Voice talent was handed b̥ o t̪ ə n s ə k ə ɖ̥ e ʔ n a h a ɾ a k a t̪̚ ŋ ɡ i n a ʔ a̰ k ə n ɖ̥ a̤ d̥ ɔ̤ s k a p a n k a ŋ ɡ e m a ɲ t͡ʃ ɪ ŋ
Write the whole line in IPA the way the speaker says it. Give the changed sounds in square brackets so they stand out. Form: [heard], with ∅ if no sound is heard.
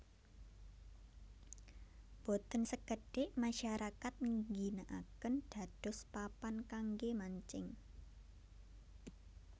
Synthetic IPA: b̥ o t̪ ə n s ə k ə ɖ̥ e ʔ [m] a [ʃ] a ɾ a k a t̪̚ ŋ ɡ i n a ʔ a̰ k ə n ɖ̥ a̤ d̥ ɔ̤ s [p] a p a n k a ŋ ɡ e m a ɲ t͡ʃ ɪ ŋ